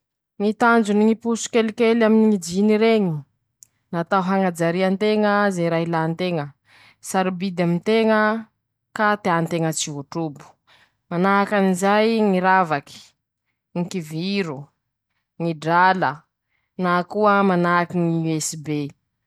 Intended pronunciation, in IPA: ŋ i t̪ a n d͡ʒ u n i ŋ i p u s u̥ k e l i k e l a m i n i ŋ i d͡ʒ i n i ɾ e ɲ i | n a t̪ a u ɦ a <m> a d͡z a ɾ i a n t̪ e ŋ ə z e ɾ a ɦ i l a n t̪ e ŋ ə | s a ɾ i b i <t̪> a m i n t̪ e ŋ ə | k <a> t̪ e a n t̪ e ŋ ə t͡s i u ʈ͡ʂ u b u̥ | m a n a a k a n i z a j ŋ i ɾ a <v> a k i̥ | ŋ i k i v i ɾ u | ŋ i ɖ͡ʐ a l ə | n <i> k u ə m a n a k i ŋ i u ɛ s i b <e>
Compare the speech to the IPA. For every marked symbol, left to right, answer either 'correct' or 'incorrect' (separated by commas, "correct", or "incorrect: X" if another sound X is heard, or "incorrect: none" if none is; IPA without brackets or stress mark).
incorrect: ŋ, incorrect: d̪, correct, correct, incorrect: a, correct